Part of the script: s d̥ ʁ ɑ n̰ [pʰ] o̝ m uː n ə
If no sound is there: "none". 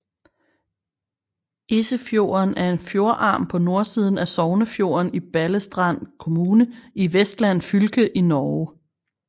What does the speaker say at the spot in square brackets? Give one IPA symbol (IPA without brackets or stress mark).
kʰ